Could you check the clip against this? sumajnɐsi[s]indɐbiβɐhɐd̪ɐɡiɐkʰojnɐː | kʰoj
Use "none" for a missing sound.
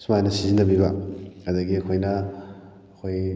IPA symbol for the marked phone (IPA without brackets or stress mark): z